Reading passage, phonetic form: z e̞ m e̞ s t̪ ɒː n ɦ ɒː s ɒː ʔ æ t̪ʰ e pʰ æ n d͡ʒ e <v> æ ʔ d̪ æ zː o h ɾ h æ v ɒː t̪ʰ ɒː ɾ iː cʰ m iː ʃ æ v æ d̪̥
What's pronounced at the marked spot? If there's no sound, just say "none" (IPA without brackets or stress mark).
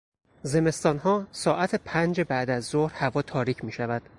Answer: b